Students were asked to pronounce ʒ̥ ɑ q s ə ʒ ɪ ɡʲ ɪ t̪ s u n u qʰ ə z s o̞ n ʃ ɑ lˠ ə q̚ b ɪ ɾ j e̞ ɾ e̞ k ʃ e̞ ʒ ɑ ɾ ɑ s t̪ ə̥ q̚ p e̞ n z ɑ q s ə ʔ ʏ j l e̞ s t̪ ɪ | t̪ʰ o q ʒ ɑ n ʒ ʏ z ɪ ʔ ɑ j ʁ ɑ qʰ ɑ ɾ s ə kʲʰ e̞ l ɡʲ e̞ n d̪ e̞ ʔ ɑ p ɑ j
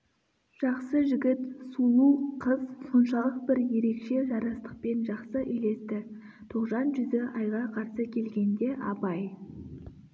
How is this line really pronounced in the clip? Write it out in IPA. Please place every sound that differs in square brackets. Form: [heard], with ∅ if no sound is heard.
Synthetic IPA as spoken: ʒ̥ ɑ q s ə ʒ ɪ ɡʲ ɪ t̪ s u n u qʰ ə z s o̞ n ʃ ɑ lˠ ə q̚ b ɪ ɾ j e̞ ɾ e̞ k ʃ e̞ ʒ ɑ ɾ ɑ s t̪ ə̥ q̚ p e̞ n [ʒ] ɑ q s ə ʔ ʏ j l e̞ s t̪ ɪ | t̪ʰ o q ʒ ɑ n ʒ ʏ z ɪ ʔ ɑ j ʁ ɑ qʰ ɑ ɾ s ə kʲʰ e̞ l ɡʲ e̞ n d̪ e̞ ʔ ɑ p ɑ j